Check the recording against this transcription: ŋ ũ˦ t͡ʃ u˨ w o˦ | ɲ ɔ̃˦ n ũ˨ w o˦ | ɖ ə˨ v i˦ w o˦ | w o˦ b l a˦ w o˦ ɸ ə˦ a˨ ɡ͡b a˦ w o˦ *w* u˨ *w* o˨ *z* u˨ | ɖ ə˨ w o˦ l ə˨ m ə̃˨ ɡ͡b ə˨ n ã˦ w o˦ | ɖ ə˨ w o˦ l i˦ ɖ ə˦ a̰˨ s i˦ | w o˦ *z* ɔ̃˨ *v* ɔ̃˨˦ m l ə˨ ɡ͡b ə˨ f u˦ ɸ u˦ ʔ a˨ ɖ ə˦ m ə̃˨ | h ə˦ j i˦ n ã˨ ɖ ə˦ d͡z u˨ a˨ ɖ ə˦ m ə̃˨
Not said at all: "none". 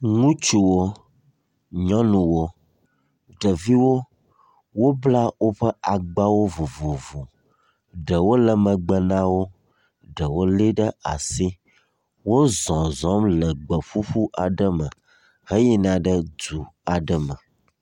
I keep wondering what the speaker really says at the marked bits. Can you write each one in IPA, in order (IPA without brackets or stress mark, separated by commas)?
v, v, v, z, z